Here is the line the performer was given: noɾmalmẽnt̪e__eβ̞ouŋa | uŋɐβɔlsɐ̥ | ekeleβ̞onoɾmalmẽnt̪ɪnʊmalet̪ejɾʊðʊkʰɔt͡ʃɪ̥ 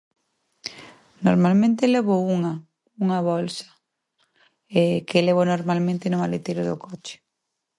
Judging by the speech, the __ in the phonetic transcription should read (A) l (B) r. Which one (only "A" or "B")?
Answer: A